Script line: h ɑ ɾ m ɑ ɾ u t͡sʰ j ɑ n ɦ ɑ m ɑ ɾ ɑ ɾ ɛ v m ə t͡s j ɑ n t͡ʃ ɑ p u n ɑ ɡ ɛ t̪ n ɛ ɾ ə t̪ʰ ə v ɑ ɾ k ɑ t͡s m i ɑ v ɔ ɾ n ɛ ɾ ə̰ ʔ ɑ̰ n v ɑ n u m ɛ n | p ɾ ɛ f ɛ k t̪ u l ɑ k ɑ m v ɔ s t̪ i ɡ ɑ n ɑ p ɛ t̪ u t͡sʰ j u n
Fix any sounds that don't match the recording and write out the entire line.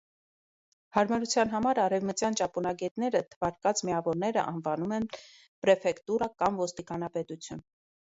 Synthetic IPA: h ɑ ɾ m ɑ ɾ u t͡sʰ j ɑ n ɦ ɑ m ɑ ɾ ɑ ɾ ɛ v m ə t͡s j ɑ n t͡ʃ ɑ p u n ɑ ɡ ɛ t̪ n ɛ ɾ ə t̪ʰ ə v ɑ ɾ k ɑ t͡s m i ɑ v ɔ ɾ n ɛ ɾ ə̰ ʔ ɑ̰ n v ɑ n u m ɛ n | p ɾ ɛ f ɛ k t̪ u ɾ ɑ k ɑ m v ɔ s t̪ i k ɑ n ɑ p ɛ t̪ u t͡sʰ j u n